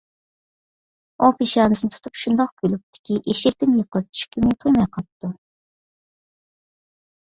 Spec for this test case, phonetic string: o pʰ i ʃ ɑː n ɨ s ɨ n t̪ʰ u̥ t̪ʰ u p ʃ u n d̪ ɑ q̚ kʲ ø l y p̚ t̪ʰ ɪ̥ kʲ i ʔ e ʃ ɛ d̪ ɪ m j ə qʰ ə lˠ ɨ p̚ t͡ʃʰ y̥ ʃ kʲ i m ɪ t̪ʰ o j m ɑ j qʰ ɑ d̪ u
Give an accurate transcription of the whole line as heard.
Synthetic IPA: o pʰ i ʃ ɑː n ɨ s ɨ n t̪ʰ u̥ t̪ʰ u p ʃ u n d̪ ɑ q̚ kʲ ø l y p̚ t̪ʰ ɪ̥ kʲ i ʔ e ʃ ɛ t̪ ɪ m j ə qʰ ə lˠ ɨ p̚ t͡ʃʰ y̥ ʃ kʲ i m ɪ t̪ʰ o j m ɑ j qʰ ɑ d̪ u